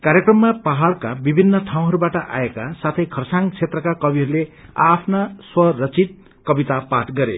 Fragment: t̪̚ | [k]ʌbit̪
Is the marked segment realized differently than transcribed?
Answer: no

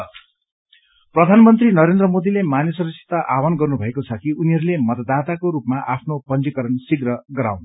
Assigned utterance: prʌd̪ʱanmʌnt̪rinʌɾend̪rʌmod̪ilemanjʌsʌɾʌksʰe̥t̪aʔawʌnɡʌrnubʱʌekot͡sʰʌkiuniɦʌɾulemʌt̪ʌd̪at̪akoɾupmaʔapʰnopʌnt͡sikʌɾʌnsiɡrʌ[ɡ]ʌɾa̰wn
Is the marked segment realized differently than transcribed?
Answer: no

